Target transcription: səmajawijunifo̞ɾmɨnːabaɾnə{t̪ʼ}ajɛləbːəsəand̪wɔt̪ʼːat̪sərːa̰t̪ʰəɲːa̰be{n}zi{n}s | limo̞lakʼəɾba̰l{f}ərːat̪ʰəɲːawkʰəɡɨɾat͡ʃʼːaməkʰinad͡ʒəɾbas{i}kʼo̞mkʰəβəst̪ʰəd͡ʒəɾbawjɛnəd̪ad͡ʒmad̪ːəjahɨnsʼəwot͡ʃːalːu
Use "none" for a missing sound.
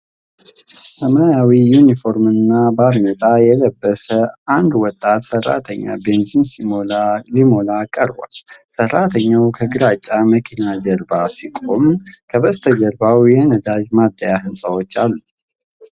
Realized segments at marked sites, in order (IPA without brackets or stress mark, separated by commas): t̪ʼ, n, n, s, i